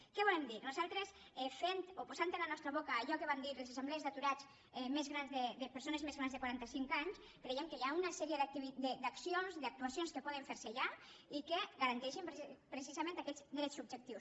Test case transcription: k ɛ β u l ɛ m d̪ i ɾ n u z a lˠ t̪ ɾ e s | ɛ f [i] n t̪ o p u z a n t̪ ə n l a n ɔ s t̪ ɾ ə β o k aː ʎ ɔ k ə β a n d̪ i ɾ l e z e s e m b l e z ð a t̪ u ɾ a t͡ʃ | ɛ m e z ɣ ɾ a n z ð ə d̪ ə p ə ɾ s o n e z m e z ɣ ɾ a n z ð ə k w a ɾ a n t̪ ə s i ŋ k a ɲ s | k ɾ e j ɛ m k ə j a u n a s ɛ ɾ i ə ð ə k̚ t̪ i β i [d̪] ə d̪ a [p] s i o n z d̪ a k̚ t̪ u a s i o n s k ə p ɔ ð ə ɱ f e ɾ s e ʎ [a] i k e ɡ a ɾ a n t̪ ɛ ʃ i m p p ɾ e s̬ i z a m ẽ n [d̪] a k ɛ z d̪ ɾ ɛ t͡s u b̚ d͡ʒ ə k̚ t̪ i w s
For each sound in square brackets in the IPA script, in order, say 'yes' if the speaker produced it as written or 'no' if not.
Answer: no, yes, no, yes, no

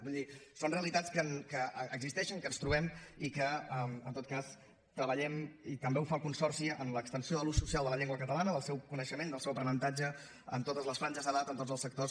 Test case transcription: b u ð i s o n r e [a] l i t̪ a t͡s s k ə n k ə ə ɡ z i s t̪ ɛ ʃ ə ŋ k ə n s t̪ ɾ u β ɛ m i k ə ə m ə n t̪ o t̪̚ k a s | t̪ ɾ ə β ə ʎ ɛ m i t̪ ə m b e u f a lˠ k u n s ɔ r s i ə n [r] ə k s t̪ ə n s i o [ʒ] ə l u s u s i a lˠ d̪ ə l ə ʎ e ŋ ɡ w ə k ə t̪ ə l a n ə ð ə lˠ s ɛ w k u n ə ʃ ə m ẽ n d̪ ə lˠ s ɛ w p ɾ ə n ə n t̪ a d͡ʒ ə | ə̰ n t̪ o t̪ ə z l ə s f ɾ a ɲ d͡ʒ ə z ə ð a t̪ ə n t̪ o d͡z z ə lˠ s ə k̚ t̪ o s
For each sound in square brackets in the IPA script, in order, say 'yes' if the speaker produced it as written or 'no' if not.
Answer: no, no, no

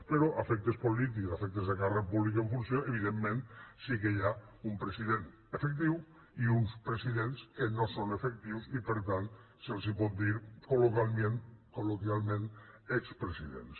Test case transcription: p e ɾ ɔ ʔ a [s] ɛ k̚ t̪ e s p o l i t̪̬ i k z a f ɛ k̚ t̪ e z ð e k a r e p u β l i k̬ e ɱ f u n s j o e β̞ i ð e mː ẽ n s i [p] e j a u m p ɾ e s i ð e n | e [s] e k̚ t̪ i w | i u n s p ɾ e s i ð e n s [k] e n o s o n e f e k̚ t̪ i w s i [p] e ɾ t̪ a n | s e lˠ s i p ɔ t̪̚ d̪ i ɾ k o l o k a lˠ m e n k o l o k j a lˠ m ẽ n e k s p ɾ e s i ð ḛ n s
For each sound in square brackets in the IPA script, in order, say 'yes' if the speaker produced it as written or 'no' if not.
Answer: no, no, no, yes, yes

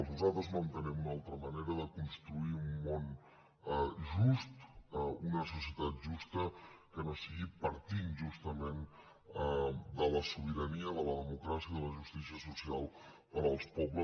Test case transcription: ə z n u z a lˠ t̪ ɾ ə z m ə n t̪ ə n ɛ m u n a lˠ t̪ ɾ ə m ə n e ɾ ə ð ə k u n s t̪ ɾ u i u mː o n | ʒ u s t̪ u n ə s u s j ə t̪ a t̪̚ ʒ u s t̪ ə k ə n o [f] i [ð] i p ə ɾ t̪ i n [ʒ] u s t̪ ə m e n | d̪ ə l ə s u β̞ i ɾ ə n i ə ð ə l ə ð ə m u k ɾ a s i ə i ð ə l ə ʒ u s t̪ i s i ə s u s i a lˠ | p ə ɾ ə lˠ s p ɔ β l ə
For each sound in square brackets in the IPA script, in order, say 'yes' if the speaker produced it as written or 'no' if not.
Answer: no, no, yes

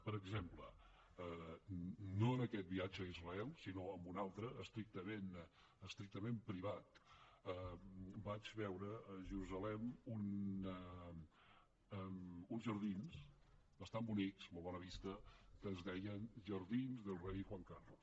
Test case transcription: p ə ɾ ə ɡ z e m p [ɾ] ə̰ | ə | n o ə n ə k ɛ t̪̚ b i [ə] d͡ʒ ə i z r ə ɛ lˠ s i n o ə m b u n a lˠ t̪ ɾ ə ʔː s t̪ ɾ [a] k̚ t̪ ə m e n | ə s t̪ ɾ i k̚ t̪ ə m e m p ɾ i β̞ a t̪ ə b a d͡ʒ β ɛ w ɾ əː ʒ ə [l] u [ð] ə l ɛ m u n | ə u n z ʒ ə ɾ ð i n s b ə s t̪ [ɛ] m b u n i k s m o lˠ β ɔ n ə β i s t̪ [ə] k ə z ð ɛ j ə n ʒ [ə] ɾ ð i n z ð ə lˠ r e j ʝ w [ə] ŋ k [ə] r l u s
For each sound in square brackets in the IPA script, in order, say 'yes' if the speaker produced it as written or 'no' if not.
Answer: no, no, no, no, no, no, yes, yes, no, no

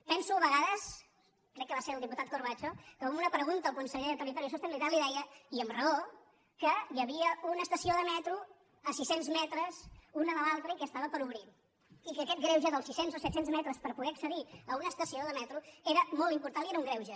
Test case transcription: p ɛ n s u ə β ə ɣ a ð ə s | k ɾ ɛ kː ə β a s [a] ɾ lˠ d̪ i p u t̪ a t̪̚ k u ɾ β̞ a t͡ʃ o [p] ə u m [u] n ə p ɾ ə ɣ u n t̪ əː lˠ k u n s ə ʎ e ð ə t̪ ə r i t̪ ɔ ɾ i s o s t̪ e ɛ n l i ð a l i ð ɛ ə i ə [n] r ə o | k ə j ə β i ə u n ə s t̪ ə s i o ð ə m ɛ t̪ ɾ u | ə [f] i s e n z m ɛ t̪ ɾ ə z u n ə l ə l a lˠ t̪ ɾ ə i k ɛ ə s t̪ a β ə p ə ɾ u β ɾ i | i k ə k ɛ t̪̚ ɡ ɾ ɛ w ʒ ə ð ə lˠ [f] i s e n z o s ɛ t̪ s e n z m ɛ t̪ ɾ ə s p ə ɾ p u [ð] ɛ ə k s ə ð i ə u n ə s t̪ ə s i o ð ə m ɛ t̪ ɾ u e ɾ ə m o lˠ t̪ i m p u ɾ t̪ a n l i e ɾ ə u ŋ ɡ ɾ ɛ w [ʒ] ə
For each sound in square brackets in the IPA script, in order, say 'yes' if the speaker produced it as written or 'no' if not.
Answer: no, no, yes, no, no, no, no, yes

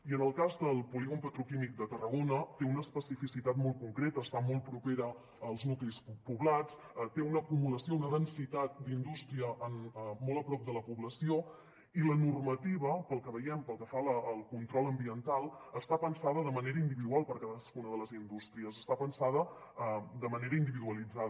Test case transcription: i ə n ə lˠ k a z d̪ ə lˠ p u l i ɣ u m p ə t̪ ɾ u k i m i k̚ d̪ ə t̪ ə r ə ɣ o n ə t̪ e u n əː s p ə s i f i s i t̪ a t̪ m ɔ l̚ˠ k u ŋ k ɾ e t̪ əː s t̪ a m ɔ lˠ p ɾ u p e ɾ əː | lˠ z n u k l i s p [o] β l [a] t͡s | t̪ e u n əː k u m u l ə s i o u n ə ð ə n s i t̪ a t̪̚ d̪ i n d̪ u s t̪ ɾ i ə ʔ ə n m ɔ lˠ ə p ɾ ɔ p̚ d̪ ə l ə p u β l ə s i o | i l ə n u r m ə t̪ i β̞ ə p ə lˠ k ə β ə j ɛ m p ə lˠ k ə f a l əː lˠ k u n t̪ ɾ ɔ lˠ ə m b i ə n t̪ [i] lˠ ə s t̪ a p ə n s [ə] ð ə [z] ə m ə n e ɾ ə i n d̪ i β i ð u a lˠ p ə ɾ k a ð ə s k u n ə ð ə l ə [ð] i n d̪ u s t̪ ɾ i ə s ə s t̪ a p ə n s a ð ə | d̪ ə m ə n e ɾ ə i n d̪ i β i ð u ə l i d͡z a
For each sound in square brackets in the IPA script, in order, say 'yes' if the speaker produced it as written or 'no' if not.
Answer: no, yes, no, no, no, no

